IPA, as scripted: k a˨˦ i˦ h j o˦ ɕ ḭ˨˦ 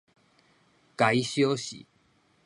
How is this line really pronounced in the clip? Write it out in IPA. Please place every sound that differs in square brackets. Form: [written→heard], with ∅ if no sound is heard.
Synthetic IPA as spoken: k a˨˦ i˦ [h→ɕ] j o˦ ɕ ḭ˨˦